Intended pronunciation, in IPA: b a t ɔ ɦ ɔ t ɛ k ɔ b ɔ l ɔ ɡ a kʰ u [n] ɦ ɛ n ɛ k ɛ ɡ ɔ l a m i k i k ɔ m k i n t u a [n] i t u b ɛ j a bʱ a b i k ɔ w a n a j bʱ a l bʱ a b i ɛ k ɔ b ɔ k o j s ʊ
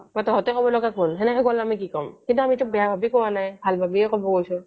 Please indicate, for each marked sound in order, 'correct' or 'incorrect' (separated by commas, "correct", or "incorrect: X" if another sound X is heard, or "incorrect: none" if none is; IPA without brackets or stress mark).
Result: correct, incorrect: m